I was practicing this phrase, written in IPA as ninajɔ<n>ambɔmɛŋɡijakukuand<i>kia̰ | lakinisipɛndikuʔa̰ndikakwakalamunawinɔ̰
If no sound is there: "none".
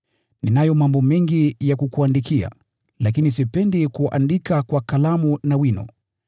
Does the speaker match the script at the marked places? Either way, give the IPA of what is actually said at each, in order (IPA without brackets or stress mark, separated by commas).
m, i